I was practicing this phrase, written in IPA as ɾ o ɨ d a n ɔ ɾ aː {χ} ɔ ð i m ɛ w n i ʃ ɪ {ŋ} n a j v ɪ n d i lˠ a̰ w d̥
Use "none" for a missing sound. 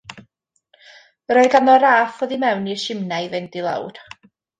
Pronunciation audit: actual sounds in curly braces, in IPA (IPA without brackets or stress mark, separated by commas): f, m